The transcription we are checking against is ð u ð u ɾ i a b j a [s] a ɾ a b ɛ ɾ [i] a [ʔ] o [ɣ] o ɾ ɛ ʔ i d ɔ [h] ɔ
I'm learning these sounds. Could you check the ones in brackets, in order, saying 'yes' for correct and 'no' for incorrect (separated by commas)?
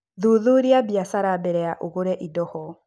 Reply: yes, no, yes, yes, yes